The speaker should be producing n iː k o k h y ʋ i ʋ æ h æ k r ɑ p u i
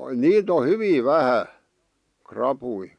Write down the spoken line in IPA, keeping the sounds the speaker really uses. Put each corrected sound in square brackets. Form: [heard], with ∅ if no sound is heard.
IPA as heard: n iː [t] o [∅] h y ʋ i ʋ æ h æ k r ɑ p u i